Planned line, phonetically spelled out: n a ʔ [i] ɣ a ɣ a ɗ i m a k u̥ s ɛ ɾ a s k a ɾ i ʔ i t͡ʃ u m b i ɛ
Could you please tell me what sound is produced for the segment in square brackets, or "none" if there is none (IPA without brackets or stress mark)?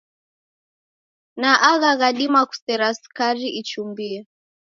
a